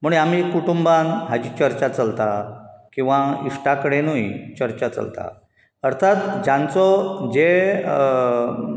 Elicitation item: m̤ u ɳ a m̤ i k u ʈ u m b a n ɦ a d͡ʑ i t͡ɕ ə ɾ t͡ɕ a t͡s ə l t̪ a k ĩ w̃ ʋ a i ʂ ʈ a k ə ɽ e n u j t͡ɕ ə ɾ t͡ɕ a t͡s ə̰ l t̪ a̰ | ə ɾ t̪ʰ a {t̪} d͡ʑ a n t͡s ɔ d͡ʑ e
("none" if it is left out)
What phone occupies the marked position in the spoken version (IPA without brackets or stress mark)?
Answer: t̪